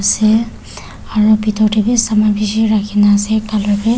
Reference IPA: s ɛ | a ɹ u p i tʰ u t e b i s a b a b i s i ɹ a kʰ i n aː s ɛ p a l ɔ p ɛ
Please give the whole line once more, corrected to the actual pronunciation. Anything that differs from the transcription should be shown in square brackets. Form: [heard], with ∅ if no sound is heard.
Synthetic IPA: s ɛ | a ɹ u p i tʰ [ɔ] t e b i s a [m] a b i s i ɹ a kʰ i n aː s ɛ [k] a l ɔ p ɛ

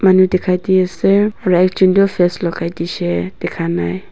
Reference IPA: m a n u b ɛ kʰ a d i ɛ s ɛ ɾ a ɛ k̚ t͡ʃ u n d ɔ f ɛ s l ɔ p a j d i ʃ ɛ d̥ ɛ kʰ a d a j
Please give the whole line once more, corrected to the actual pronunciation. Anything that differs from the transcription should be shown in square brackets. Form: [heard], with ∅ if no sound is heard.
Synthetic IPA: m a n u [d] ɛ kʰ a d i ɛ s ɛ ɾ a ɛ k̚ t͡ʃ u n d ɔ f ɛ s l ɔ [k] a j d i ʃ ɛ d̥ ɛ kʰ a [n] a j

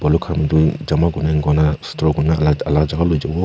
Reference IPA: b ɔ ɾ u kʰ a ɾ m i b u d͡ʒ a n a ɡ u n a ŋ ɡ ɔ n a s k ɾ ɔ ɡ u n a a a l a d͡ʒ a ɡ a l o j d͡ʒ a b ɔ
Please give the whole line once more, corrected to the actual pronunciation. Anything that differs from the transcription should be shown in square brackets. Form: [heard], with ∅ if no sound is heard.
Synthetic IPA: b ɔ [l] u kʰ a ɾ m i [d] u d͡ʒ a [m] a ɡ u n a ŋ ɡ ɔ n a s [t] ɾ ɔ ɡ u n a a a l a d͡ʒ a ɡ a l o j d͡ʒ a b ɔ

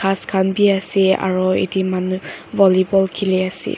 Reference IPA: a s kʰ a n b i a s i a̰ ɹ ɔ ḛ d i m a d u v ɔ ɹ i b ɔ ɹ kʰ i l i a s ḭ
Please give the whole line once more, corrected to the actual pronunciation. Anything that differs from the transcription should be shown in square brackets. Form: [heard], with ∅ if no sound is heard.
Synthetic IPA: a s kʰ a n b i a s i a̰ ɹ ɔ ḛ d i m a [n] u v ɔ [l] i b ɔ [l] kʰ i l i a s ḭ

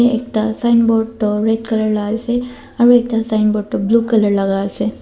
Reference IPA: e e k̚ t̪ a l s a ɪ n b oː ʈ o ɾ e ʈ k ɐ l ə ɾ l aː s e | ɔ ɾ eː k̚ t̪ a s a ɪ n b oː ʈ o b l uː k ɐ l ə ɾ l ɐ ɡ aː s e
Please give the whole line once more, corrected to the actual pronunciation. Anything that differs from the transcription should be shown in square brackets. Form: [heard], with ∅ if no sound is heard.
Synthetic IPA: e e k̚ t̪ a [∅] s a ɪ n b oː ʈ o ɾ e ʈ k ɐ l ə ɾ l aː s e | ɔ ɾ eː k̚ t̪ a s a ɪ n b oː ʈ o b l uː k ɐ l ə ɾ l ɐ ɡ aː s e

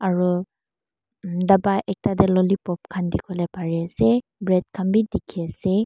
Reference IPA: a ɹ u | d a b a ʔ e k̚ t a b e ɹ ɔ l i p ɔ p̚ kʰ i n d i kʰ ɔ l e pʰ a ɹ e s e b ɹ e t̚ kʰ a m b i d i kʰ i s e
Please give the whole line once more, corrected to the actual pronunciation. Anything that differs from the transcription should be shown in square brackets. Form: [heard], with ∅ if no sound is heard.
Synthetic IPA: a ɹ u | d a b a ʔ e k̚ t a [d] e [l] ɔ l i p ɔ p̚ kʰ [a] n d i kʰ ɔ l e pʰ a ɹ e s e b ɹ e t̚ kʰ a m b i d i kʰ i s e

